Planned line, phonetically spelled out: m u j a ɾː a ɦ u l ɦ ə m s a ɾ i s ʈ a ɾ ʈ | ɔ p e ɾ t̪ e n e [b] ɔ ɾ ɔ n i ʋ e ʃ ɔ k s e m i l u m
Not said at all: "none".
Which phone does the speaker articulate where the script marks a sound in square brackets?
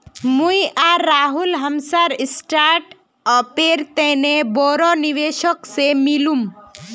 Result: b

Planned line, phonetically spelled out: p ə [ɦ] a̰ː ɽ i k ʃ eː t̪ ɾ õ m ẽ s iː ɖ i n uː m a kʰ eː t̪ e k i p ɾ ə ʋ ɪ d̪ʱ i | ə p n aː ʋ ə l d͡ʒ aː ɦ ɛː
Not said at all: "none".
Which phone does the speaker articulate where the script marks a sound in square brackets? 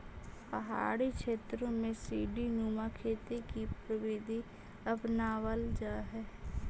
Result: ɦ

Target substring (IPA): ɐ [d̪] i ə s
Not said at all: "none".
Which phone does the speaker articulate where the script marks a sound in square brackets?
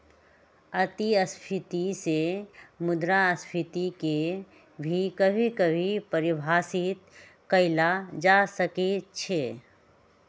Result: t̪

